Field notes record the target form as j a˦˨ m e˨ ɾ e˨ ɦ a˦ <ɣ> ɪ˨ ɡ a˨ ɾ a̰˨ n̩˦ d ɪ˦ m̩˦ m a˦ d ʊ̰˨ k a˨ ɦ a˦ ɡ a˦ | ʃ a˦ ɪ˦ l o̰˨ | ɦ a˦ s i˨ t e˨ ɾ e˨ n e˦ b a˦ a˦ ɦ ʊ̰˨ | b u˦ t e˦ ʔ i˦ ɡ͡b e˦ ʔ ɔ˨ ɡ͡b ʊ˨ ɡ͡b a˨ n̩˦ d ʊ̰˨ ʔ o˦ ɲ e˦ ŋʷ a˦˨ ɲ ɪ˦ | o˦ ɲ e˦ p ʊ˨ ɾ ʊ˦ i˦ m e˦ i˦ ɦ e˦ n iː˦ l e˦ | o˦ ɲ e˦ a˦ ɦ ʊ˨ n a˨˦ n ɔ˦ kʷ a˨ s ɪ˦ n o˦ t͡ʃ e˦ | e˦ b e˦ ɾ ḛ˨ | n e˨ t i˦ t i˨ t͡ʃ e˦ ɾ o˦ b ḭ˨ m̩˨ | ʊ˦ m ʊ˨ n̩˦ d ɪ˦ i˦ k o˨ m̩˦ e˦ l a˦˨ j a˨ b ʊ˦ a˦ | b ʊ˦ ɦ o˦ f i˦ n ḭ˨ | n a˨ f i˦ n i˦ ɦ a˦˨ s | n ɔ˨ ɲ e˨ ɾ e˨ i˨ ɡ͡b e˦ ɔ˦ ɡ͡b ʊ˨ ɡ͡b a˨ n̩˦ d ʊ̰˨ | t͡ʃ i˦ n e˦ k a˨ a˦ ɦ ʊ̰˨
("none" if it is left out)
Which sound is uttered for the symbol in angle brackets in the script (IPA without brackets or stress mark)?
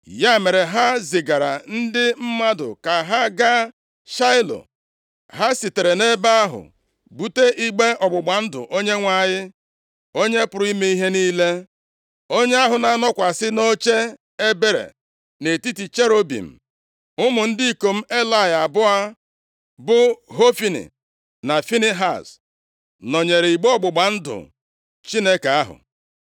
z